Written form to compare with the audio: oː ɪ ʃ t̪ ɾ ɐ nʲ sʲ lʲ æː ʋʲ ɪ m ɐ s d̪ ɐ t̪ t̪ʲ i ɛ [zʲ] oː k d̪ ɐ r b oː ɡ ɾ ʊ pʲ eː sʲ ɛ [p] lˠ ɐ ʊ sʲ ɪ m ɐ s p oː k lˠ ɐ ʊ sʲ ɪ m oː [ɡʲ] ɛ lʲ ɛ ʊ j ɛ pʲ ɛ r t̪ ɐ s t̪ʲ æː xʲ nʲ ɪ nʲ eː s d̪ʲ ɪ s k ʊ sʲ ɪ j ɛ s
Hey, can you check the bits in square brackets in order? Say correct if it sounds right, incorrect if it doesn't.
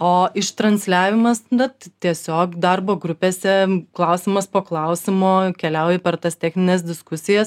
incorrect, incorrect, incorrect

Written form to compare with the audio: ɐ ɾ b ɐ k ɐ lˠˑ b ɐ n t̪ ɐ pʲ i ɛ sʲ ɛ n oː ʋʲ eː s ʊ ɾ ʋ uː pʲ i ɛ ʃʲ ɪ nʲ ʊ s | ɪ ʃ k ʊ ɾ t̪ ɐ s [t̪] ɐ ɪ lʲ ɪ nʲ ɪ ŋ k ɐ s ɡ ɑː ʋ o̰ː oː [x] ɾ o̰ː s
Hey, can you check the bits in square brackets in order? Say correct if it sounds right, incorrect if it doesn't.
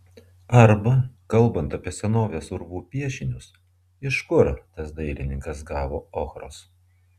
incorrect, correct

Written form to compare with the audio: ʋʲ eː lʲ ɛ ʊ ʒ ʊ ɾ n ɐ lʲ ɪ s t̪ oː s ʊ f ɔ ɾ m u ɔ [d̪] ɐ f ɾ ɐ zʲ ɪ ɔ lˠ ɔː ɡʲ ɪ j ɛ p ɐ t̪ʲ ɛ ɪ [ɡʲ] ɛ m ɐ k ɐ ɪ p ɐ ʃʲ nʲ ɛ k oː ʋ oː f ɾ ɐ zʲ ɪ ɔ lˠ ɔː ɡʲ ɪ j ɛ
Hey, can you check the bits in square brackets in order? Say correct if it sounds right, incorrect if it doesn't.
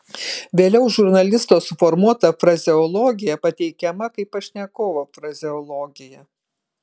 incorrect, incorrect

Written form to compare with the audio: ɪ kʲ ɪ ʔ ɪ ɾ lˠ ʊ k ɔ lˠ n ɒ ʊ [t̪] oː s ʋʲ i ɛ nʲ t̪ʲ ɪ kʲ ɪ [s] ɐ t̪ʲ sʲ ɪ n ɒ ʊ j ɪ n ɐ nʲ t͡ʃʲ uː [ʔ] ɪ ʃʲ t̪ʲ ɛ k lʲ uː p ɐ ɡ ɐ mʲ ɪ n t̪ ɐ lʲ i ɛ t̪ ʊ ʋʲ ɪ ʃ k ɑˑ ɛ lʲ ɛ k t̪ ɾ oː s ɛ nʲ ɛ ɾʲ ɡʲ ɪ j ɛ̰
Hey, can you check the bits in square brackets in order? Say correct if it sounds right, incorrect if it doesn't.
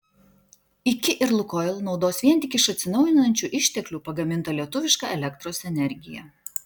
incorrect, incorrect, correct

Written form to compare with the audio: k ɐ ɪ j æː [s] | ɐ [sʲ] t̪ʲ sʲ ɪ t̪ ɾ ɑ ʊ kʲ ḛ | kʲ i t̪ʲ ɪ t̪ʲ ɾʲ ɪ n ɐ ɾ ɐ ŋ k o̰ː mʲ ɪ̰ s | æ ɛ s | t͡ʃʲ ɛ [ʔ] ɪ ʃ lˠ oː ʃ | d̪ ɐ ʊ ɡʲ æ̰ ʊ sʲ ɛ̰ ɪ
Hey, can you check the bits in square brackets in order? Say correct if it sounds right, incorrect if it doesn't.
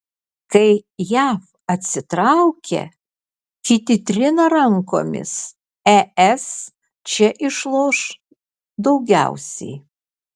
incorrect, incorrect, correct

